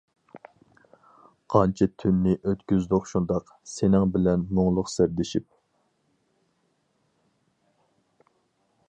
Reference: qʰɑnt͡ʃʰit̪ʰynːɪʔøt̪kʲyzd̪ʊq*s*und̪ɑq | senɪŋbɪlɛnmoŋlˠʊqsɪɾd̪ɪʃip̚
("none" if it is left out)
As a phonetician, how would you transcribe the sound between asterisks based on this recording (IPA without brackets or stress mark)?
ʃ